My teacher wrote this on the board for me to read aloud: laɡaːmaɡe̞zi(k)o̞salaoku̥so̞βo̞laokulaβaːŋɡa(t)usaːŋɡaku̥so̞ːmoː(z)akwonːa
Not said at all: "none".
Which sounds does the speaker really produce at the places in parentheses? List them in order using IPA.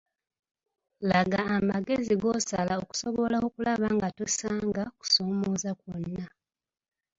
ɡ, t, z

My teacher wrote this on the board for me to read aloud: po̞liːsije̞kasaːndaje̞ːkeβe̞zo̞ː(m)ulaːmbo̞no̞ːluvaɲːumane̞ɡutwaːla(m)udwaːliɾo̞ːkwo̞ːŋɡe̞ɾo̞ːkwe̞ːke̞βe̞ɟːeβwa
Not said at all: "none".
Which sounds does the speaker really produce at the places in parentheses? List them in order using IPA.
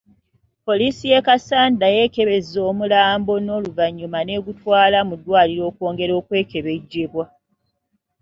m, m

